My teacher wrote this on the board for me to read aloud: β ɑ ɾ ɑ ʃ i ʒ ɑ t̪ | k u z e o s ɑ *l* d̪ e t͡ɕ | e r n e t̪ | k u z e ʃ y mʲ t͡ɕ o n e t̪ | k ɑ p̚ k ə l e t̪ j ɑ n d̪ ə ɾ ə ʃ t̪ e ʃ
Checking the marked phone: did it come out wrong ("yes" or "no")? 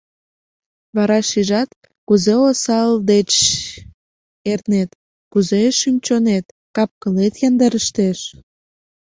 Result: no